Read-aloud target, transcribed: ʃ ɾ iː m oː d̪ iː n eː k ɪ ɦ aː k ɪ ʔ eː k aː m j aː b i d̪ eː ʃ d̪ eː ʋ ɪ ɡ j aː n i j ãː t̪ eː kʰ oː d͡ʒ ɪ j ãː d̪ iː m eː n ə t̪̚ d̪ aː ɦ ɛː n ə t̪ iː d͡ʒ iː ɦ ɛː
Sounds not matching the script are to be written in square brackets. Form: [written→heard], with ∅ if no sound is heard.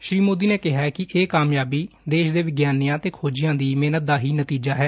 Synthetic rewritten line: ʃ ɾ iː m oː d̪ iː n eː k ɪ ɦ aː k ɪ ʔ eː k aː m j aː b [i→iː] d̪ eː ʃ d̪ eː ʋ ɪ ɡ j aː n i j ãː t̪ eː kʰ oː d͡ʒ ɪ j ãː d̪ iː m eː n ə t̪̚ d̪ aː ɦ [ɛː→iː] n ə t̪ iː d͡ʒ [iː→aː] ɦ ɛː